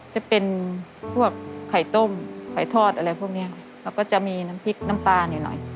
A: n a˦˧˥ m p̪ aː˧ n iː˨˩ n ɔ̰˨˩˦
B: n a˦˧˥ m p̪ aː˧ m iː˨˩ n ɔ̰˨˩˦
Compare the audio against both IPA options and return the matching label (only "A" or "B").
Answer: A